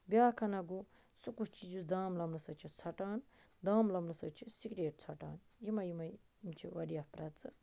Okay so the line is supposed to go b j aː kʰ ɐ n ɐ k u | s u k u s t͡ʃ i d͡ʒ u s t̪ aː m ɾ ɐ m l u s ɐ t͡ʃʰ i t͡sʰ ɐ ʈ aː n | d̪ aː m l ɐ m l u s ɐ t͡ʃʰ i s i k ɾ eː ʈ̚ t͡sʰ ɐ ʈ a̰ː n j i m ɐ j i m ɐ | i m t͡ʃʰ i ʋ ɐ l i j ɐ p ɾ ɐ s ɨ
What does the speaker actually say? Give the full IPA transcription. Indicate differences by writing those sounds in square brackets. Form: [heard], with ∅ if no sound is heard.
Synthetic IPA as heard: b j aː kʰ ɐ n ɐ [ɡ] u | s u k u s t͡ʃ i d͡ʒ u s [d̪] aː m [l] ɐ m l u s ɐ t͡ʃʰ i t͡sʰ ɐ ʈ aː n | d̪ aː m l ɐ m l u s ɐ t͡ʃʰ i s i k ɾ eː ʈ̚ t͡sʰ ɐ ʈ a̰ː n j i m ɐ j i m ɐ | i m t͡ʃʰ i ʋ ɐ [ɾ] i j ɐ p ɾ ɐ [t͡s] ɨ